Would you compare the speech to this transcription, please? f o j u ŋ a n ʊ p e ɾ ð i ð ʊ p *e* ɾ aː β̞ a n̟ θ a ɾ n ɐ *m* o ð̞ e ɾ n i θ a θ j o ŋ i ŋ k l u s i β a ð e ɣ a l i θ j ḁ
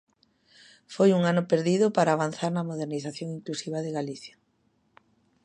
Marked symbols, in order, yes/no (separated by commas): no, yes